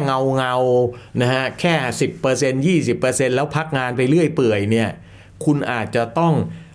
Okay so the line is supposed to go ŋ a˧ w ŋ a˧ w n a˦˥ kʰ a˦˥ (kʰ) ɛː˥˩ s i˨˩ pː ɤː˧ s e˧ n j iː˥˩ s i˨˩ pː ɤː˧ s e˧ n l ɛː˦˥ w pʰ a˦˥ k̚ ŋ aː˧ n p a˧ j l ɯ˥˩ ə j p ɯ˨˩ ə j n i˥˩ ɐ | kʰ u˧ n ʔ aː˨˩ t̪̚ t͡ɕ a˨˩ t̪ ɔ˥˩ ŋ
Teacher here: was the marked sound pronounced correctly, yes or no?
yes